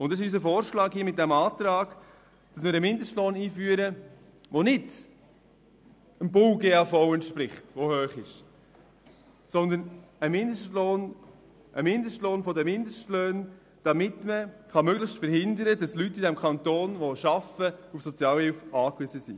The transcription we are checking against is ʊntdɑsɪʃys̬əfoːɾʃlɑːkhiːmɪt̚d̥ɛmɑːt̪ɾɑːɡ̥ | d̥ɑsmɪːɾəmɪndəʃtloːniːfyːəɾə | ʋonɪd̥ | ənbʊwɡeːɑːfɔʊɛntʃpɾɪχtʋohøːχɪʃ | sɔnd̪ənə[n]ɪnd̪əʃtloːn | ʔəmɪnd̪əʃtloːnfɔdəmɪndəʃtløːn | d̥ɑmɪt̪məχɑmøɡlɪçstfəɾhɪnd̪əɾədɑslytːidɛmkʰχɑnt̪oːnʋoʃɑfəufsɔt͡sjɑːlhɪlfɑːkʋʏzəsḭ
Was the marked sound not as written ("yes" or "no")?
yes